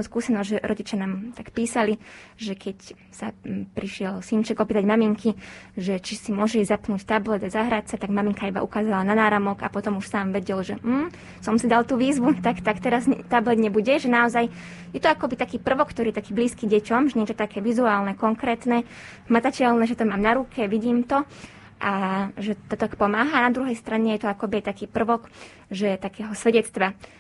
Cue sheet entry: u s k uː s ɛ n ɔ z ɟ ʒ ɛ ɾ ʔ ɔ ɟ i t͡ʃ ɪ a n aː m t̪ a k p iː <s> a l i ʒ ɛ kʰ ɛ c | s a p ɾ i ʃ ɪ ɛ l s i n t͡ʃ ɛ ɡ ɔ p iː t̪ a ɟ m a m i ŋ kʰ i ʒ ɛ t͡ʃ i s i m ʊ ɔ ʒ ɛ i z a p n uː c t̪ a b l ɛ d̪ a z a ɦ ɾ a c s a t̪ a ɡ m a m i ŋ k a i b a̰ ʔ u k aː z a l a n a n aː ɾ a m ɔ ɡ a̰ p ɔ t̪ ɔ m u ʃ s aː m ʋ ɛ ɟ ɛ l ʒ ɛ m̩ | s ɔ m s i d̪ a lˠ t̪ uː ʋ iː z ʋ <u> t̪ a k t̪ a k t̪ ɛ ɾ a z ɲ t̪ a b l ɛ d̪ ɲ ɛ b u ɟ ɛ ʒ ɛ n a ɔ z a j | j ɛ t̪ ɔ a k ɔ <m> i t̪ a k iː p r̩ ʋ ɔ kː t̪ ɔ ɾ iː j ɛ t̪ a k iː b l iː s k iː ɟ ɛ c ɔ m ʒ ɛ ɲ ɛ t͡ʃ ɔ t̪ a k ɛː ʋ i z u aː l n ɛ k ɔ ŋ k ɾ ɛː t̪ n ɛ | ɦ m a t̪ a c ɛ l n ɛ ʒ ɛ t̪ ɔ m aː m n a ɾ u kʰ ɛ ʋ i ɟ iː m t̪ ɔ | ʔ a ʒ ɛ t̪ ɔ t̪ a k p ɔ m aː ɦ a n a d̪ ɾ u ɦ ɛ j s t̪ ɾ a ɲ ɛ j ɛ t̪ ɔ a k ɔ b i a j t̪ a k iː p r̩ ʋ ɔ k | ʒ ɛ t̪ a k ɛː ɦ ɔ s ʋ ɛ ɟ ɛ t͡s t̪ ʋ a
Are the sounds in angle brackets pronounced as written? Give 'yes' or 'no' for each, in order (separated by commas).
yes, yes, no